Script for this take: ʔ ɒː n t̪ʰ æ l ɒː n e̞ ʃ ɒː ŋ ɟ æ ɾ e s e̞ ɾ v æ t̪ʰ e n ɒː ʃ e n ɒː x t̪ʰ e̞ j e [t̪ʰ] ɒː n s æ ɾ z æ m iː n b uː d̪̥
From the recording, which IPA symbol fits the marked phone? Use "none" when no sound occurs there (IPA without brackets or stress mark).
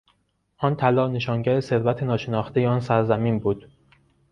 none